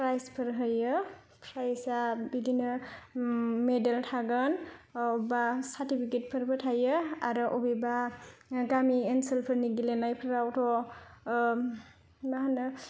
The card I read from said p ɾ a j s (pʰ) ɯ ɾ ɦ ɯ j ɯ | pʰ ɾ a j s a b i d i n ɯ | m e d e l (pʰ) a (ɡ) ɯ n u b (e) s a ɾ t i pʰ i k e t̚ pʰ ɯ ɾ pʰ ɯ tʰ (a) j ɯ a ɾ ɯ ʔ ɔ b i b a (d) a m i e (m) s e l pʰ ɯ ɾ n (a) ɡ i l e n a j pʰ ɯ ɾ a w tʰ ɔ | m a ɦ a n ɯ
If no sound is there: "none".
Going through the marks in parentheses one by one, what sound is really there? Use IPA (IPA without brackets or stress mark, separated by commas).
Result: pʰ, tʰ, ɡ, a, a, ɡ, n, i